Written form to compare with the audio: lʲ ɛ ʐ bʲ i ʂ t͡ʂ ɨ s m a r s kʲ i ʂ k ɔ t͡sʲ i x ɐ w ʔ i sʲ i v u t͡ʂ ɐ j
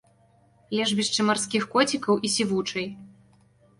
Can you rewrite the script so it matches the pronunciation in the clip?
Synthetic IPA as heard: lʲ ɛ ʐ bʲ i ʂ t͡ʂ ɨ m a r s kʲ i x k ɔ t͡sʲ i k ɐ w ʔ i sʲ i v u t͡ʂ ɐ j